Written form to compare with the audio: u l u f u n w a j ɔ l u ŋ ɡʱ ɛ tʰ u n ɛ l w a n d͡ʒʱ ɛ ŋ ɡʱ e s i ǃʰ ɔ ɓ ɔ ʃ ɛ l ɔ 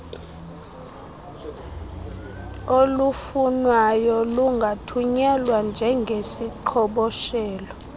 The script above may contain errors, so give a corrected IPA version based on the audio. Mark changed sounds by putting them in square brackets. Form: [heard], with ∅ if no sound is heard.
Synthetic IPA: [o] l u f u n w a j ɔ l u ŋ ɡʱ [a] tʰ u [ɲ] ɛ l w a n d͡ʒʱ ɛ ŋ ɡʱ e s i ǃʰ ɔ ɓ ɔ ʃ [ɛː] l ɔ